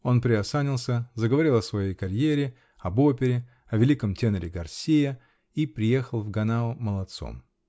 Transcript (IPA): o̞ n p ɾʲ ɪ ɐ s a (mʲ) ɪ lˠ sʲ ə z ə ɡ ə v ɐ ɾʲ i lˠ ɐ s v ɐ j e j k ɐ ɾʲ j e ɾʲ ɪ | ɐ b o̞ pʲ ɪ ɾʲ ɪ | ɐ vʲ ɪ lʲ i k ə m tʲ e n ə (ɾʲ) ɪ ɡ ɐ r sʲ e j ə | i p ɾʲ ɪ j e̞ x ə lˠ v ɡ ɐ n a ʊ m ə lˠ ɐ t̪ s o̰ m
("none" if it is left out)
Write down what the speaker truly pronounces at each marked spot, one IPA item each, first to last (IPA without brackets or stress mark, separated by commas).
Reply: nʲ, ɾʲ